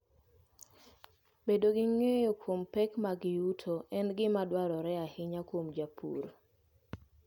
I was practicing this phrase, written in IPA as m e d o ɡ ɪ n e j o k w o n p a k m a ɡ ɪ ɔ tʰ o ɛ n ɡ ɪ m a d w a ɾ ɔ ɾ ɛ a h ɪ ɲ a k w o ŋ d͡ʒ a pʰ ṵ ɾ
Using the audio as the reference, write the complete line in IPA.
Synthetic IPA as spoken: b e d o ɡ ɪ ŋ e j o k w o m p ɛ k m a ɡ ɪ u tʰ o ɛ n ɡ ɪ m a d w a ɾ ɔ ɾ ɛ a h ɪ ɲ a k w o m d͡ʒ a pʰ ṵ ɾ